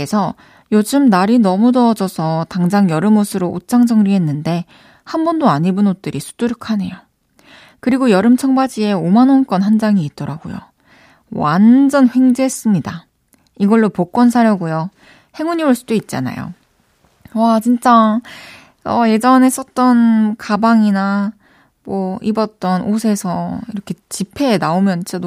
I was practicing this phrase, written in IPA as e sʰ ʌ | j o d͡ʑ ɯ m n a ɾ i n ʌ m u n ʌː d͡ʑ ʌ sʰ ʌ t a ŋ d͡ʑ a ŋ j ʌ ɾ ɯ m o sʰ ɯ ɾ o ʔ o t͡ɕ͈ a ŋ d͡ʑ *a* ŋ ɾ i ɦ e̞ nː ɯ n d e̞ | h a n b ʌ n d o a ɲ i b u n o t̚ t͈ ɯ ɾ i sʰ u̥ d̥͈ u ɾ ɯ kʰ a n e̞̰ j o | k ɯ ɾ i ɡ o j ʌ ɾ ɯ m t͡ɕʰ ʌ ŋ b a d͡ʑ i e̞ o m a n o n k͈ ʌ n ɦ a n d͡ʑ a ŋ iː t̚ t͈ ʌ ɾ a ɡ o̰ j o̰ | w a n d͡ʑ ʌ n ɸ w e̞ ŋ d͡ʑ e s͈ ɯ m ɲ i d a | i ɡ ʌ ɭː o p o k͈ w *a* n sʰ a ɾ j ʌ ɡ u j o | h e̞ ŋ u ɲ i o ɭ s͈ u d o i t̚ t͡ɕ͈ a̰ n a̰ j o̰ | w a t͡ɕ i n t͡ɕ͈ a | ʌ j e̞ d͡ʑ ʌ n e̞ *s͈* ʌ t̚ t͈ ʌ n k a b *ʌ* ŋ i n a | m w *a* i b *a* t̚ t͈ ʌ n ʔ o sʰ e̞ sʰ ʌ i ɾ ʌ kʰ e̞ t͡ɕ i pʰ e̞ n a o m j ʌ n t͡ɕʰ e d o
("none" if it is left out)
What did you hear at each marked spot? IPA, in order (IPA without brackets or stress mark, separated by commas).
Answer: ʌ, ʌ, s͈, a, ʌ, ʌ